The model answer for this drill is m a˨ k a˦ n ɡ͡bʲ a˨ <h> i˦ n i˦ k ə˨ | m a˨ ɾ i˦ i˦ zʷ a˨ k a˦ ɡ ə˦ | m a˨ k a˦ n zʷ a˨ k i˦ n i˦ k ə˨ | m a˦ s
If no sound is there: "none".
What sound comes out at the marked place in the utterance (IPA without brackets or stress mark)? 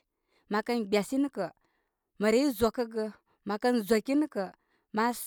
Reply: s